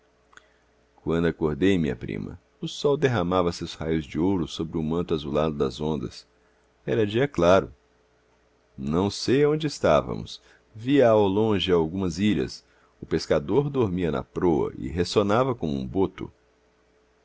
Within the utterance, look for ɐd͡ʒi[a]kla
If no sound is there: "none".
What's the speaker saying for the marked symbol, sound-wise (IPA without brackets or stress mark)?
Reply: ɐ